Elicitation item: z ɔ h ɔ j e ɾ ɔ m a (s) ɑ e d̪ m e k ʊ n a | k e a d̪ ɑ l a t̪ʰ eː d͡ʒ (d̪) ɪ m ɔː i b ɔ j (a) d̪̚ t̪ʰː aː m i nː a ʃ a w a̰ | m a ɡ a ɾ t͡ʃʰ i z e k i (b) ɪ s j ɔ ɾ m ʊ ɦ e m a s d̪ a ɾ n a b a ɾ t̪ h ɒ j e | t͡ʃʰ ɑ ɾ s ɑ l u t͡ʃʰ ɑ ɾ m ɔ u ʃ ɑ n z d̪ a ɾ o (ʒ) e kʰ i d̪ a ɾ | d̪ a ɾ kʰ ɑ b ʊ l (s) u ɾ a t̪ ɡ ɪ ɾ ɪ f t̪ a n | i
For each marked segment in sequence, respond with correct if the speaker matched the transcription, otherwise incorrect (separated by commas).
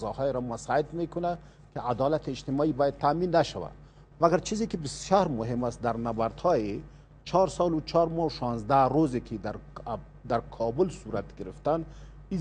correct, incorrect, correct, correct, incorrect, correct